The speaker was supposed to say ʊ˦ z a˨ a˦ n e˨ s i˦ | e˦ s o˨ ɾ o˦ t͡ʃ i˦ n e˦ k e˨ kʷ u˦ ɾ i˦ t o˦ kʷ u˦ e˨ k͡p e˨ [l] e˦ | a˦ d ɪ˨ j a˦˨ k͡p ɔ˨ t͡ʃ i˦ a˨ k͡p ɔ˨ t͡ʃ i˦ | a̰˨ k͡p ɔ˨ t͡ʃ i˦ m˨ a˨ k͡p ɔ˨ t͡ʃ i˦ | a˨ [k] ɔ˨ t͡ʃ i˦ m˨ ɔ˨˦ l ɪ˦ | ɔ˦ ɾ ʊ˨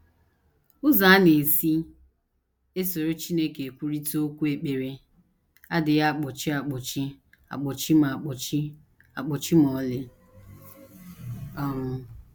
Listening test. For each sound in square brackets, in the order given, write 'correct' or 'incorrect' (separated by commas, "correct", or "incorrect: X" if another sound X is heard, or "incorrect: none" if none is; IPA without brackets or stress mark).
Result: incorrect: ɾ, incorrect: k͡p